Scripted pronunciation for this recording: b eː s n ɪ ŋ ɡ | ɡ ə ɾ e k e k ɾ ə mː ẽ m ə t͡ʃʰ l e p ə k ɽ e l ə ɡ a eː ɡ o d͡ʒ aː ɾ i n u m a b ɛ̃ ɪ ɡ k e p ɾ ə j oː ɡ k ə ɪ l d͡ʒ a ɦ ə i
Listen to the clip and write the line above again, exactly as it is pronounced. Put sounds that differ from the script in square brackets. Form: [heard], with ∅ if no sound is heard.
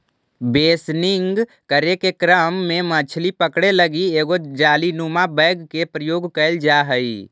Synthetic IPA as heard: b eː s n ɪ ŋ ɡ | [k] ə ɾ e k e k ɾ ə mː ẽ m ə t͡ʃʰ l [i] p ə k ɽ e l ə ɡ [i] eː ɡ o d͡ʒ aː [l] i n u m a b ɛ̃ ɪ ɡ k e p ɾ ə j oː ɡ k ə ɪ l d͡ʒ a ɦ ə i